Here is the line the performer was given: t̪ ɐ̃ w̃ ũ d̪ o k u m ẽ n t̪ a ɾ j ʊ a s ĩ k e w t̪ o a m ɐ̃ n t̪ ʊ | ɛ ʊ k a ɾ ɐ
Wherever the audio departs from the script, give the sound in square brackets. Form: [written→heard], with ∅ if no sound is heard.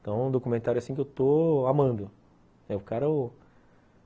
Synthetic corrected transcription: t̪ ɐ̃ w̃ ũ d̪ o k u m ẽ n t̪ a ɾ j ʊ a s ĩ k e w t̪ o a m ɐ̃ n [t̪→d̪] ʊ | ɛ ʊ k a ɾ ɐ